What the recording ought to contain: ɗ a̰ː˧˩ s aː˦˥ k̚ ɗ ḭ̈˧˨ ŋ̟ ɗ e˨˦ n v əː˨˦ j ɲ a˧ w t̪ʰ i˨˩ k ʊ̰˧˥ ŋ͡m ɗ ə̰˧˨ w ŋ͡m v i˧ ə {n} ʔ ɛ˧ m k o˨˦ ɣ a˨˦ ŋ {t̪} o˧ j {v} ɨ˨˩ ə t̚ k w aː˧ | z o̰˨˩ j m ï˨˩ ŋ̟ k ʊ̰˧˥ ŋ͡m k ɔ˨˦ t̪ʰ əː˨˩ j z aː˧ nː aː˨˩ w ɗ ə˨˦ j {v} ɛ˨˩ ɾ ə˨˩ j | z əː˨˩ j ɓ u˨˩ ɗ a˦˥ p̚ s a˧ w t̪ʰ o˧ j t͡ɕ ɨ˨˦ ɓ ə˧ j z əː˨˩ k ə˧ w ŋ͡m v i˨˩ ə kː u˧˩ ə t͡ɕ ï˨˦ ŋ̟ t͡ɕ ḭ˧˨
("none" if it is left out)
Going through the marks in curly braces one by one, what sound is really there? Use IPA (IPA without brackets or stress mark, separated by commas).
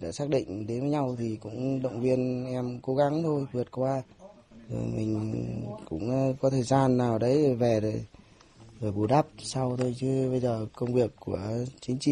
n, t̪ʰ, v, v